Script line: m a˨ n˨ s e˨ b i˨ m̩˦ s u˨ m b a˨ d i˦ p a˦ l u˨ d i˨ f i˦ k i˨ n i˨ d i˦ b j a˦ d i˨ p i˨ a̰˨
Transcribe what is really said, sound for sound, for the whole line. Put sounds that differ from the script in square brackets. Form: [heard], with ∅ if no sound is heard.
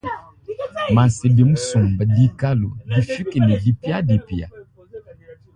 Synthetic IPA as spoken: m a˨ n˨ s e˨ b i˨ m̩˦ s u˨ m b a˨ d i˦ [k] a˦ l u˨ d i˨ f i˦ k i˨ n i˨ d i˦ [p] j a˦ d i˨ p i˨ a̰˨